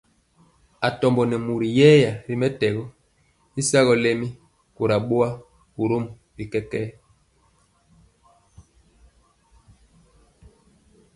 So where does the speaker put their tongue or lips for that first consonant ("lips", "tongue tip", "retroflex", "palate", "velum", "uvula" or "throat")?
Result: tongue tip